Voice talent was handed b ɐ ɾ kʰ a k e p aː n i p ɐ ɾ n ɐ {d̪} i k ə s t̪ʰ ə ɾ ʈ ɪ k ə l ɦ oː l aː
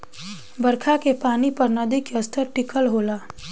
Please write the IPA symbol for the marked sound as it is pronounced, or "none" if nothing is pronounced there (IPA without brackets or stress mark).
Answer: d̪